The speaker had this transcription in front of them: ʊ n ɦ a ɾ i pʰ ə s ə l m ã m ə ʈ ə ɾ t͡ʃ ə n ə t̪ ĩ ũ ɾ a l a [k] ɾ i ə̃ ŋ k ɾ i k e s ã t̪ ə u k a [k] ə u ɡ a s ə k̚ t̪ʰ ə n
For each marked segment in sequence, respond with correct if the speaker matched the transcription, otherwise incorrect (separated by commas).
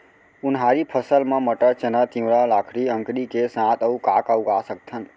incorrect, correct